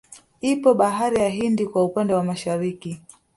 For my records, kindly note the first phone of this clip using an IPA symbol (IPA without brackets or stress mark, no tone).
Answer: i